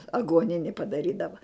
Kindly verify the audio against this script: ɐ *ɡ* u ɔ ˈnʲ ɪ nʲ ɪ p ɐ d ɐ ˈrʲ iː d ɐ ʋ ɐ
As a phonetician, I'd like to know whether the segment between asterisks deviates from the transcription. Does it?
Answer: no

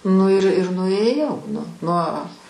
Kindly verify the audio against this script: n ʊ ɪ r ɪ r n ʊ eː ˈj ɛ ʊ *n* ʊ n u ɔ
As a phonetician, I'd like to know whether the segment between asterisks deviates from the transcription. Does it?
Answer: no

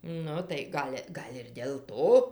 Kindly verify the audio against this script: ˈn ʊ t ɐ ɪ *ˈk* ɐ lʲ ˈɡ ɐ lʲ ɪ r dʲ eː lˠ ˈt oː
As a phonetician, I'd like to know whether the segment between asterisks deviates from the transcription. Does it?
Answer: yes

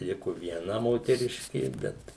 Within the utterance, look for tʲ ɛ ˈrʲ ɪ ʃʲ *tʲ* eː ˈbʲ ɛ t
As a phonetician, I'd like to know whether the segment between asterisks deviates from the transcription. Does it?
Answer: yes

